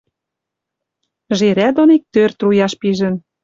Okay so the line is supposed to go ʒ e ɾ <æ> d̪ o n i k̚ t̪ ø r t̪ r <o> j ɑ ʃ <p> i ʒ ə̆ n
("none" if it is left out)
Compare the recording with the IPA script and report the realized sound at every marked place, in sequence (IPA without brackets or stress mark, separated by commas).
æ, u, p